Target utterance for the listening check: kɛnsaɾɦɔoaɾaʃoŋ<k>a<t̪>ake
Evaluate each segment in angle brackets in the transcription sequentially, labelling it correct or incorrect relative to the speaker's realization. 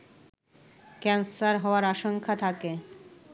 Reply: incorrect: kʰ, incorrect: t̪ʰ

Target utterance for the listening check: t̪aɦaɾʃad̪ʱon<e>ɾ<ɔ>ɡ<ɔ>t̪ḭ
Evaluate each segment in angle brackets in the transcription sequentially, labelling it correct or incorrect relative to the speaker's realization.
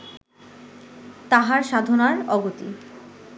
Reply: incorrect: a, correct, incorrect: o

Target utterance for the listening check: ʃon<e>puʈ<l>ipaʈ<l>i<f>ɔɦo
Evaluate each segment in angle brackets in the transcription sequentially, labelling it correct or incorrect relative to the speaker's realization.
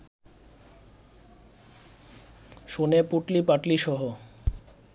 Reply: correct, correct, correct, incorrect: ʃ

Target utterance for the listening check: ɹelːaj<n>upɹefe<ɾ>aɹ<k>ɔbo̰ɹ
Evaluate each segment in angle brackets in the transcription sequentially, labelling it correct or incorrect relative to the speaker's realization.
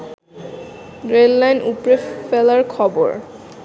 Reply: correct, incorrect: l, incorrect: kʰ

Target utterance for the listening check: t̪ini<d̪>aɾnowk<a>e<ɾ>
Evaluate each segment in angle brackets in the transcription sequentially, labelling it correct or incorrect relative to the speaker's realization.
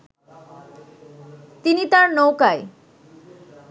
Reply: incorrect: t̪, correct, incorrect: none

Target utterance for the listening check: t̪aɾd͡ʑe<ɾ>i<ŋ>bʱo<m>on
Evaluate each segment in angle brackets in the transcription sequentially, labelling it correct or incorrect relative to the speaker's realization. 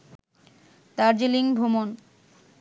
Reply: incorrect: l, correct, correct

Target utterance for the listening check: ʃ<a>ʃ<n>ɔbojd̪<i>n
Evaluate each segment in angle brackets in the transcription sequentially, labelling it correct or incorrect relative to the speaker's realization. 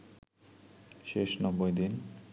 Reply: incorrect: e, correct, correct

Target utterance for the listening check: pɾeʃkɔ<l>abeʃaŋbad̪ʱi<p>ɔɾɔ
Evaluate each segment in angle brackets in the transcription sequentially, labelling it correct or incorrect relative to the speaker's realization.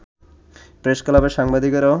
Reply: correct, incorrect: k

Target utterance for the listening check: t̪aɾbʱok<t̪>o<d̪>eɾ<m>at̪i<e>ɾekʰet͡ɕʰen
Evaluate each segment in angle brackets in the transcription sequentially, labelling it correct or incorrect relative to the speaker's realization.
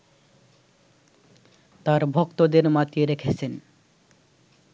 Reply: correct, correct, correct, correct

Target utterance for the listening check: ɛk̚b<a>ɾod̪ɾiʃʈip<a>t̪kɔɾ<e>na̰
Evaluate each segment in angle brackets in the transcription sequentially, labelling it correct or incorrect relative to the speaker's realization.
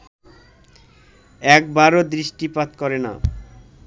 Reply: correct, correct, correct

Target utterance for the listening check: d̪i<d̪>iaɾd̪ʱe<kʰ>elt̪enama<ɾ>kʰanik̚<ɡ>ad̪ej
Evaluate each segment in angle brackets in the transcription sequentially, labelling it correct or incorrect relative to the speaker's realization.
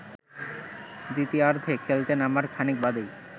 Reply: incorrect: t̪, correct, correct, incorrect: b

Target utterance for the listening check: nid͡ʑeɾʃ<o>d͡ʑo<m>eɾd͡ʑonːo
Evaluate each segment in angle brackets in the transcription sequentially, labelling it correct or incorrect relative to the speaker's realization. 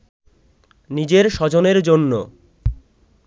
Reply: incorrect: ɔ, incorrect: n

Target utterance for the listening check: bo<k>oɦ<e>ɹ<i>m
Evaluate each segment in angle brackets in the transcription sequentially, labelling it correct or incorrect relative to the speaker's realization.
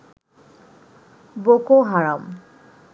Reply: correct, incorrect: a, incorrect: a

